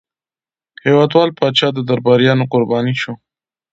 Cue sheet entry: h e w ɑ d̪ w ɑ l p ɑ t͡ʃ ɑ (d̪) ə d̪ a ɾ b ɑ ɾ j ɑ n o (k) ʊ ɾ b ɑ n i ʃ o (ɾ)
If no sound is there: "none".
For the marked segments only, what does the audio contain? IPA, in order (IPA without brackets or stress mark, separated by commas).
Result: d̪, q, none